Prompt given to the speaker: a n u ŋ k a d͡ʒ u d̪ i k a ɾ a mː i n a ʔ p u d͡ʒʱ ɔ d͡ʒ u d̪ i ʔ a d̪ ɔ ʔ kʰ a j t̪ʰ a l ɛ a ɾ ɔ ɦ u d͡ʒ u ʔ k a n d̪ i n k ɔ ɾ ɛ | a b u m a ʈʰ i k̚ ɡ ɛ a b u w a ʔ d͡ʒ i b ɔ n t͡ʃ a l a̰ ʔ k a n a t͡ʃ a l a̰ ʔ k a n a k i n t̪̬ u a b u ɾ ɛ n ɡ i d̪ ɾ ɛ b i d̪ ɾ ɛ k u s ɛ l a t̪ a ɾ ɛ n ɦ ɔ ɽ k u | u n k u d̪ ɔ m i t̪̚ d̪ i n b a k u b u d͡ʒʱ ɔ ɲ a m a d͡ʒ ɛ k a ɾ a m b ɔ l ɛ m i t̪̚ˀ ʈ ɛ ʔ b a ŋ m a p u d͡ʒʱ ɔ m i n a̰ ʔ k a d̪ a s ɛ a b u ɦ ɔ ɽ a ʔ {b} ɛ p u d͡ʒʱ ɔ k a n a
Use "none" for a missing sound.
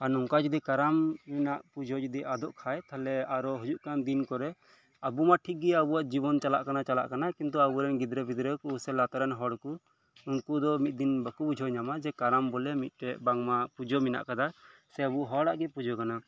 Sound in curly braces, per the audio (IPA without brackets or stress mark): ɡ